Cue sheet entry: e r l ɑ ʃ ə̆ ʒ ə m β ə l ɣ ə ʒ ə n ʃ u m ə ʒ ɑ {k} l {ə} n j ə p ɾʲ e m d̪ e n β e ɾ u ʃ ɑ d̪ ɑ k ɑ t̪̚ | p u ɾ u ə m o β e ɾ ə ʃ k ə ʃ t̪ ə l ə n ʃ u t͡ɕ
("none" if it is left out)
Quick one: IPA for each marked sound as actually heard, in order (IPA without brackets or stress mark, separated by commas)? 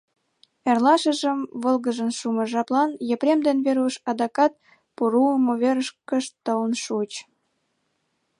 p, ɑ